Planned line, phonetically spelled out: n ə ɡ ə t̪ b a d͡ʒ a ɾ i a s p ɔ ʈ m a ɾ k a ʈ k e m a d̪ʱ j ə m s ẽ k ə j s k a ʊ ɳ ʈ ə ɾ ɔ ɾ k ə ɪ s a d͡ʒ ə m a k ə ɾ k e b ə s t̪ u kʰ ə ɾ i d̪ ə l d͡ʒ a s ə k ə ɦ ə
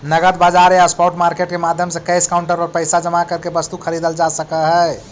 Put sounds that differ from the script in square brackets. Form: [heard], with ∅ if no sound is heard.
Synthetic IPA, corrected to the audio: n ə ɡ ə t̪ b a d͡ʒ a ɾ [j] a s p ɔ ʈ m a ɾ k [e] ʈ k e m a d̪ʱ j ə m s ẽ k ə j s k a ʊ ɳ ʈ ə ɾ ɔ ɾ [p] ə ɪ s a d͡ʒ ə m a k ə ɾ k e b ə s t̪ u kʰ ə ɾ i d̪ ə l d͡ʒ a s ə k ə ɦ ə